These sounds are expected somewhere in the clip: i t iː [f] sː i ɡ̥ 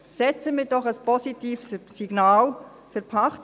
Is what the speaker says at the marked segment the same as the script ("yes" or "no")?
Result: yes